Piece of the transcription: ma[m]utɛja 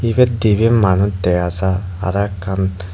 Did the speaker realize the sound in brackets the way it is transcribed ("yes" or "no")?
no